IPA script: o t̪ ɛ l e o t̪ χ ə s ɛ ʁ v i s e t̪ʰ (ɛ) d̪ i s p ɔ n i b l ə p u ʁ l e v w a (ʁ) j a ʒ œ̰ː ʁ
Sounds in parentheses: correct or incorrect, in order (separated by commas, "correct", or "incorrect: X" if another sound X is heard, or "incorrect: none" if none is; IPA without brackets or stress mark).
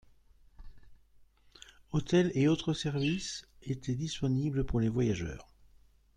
correct, incorrect: none